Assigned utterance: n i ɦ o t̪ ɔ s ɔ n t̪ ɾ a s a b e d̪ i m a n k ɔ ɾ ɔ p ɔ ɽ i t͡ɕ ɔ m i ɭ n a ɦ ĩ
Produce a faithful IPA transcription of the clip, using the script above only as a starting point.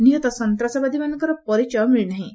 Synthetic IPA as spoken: n i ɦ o t̪ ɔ s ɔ n t̪ ɾ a s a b a d̪ i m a n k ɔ ɾ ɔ p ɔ ɾ i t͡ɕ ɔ m i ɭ n a ɦ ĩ